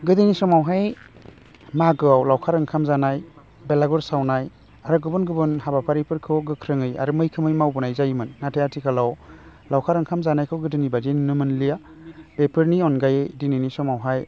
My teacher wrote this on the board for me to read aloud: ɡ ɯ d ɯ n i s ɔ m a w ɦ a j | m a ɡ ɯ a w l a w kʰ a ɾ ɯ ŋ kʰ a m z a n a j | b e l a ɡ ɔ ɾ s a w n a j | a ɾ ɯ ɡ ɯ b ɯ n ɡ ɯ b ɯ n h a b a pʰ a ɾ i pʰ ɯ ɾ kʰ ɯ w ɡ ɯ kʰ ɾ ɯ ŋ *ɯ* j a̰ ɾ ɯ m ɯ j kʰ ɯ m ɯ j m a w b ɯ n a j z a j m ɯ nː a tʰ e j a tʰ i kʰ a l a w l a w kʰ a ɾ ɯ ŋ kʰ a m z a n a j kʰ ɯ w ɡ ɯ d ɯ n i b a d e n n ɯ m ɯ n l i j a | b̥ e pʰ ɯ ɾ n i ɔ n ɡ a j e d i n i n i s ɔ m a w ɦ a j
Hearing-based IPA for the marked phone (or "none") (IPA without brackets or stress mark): ɯ